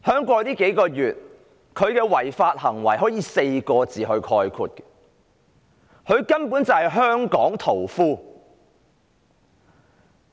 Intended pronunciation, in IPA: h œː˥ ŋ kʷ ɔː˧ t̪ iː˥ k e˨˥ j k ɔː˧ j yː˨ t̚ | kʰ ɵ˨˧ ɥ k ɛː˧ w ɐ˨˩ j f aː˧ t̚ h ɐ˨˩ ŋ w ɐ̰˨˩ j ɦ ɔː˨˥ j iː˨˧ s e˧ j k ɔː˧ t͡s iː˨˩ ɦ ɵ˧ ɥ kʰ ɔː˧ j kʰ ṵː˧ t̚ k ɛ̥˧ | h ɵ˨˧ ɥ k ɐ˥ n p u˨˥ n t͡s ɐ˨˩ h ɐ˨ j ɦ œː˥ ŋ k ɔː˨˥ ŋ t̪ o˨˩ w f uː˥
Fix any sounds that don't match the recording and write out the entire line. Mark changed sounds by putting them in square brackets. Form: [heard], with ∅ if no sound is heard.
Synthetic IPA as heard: h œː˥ ŋ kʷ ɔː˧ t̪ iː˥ k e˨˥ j k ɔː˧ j yː˨ t̚ | kʰ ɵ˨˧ ɥ k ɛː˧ w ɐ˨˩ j f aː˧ t̚ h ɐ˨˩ ŋ w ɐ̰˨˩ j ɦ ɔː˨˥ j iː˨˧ s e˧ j k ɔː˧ t͡s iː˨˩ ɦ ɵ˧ ɥ kʰ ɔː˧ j kʰ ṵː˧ t̚ k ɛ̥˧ | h ɵ˨˧ ɥ k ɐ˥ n p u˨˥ n t͡s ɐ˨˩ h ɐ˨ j ɦ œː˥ ŋ k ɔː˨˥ ŋ [t̪ʰ] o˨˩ w f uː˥